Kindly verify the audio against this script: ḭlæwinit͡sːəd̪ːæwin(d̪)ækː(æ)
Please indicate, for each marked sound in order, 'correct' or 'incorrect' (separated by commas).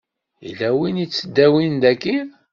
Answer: correct, incorrect